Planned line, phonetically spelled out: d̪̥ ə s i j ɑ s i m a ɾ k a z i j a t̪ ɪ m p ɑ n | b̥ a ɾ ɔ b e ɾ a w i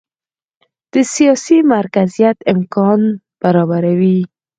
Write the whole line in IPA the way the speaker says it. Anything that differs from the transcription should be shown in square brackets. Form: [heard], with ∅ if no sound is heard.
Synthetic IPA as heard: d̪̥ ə s i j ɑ s i m a ɾ k a z i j a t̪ ɪ m [k] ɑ n | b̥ a ɾ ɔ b [a] ɾ a w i